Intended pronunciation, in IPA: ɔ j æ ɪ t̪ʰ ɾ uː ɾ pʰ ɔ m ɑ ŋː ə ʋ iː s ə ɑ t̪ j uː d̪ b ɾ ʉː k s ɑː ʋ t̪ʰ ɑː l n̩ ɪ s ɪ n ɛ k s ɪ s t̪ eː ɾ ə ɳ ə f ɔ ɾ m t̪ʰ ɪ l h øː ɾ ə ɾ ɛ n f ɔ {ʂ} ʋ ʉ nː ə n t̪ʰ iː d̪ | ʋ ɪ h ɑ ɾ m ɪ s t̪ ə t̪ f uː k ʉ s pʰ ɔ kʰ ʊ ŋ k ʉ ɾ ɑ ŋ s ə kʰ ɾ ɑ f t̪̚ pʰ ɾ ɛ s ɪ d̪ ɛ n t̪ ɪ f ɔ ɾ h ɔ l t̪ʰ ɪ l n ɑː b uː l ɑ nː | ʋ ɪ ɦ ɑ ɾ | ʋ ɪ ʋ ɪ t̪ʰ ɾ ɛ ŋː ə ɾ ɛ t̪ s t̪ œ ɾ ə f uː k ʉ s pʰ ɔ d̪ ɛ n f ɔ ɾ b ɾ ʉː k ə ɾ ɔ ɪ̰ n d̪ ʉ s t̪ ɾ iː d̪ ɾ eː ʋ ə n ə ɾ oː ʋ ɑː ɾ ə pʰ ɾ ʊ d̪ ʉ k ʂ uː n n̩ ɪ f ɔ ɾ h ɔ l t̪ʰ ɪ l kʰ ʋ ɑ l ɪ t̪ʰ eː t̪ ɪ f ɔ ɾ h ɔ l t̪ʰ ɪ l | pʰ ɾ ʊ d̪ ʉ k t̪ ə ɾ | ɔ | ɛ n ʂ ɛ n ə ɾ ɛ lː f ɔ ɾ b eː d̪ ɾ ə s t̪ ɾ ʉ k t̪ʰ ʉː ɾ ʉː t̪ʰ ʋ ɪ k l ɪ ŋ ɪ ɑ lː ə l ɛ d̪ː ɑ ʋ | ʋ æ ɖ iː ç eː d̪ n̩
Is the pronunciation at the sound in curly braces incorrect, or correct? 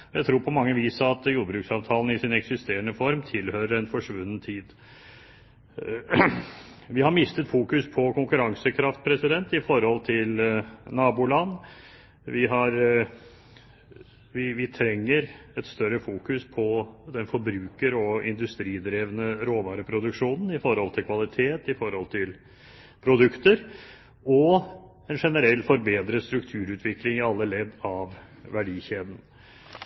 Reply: correct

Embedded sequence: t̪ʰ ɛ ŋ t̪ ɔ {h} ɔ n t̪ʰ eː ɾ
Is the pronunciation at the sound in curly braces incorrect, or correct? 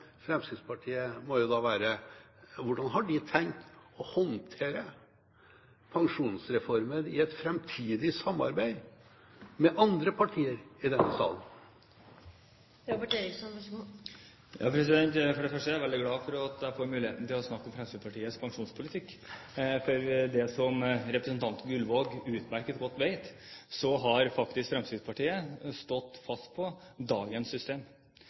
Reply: correct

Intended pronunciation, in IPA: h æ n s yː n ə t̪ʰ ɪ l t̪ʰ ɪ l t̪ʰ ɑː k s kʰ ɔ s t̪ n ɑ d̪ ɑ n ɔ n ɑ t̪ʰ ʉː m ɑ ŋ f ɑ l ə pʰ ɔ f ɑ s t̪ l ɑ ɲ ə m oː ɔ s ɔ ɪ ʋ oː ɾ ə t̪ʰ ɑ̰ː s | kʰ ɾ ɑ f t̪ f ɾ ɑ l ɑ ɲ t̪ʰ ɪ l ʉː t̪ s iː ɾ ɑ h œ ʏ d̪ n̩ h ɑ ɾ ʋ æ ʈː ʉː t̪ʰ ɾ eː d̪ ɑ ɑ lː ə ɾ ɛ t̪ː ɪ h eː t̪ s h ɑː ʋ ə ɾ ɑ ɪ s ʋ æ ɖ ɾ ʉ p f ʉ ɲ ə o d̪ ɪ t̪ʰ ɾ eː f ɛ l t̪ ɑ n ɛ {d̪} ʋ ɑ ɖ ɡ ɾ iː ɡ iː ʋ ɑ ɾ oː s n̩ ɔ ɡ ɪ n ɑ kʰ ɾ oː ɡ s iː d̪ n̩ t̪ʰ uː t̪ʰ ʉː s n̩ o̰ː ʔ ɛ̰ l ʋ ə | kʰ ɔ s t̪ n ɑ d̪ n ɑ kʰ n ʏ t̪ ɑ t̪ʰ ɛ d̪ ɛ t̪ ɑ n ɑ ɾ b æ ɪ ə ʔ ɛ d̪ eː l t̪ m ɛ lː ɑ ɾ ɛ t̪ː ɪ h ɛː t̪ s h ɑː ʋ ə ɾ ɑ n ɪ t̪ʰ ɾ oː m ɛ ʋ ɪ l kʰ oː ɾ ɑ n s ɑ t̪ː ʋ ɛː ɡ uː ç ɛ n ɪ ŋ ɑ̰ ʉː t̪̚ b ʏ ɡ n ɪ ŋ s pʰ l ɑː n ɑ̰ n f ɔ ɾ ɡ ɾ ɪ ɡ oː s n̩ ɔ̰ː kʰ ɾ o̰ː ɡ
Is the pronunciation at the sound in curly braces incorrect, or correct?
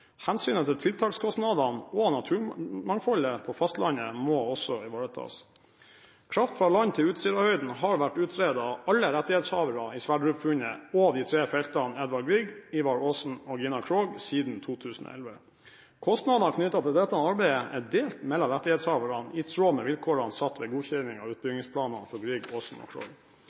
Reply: correct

